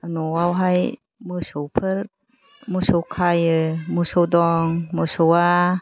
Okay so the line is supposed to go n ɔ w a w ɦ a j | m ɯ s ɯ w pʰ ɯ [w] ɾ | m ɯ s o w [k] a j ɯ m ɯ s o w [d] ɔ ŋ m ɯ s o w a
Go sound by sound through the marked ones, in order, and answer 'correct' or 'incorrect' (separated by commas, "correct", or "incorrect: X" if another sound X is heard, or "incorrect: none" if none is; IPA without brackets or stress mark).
incorrect: none, incorrect: kʰ, correct